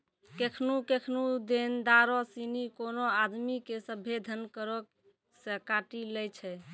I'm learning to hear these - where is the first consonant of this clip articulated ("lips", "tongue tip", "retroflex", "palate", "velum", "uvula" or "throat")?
velum